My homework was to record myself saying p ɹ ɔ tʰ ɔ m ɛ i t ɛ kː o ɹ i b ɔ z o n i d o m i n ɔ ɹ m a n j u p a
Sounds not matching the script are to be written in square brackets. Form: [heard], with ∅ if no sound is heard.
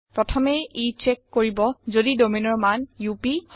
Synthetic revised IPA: p ɹ ɔ tʰ ɔ m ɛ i [t͡ʃ] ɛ kː o ɹ i b ɔ z o [d] i d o m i n ɔ ɹ m a n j u p [i]